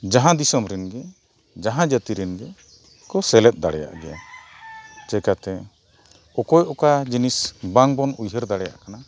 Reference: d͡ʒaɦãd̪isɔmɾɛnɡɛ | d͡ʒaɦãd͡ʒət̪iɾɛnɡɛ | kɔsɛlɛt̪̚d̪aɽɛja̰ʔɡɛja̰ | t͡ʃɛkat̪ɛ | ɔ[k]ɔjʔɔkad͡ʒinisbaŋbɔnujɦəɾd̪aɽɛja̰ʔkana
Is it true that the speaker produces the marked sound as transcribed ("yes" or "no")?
yes